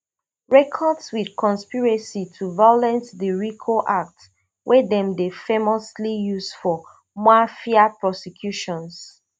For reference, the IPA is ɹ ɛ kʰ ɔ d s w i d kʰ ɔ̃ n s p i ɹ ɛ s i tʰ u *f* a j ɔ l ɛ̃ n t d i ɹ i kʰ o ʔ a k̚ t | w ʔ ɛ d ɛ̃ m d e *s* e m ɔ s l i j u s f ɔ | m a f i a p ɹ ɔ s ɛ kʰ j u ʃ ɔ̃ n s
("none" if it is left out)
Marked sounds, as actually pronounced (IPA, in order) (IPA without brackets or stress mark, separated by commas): v, f